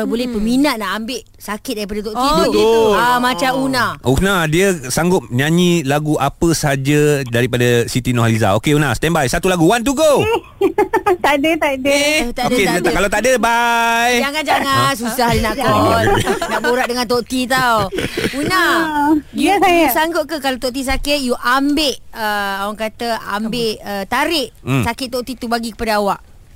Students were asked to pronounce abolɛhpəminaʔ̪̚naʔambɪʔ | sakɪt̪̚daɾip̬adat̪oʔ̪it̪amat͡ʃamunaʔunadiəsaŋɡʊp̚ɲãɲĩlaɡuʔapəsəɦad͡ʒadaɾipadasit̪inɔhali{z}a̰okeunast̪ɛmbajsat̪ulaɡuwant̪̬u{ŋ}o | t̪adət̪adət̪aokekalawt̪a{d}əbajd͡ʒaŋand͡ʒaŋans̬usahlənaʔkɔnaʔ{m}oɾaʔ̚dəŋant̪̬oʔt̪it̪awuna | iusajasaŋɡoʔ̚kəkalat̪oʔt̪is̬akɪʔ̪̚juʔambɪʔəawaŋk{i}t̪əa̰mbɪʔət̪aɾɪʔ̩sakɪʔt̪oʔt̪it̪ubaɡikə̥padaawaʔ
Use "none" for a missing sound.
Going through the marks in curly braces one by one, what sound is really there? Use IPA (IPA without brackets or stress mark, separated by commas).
z, ɡ, d, b, a